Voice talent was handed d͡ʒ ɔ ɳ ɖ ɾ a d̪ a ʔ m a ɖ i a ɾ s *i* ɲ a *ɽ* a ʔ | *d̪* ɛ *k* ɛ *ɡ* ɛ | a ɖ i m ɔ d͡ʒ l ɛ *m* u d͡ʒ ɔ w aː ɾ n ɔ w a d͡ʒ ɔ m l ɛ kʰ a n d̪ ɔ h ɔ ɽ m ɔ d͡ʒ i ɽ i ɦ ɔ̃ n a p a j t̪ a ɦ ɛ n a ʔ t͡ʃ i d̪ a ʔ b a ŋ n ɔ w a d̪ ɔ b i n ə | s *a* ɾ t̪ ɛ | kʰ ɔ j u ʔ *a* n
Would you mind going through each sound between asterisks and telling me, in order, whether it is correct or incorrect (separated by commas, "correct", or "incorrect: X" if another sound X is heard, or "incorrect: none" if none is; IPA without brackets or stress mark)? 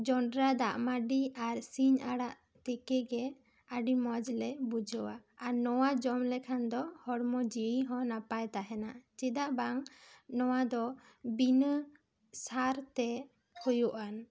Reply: correct, correct, incorrect: t̪, correct, correct, incorrect: b, correct, correct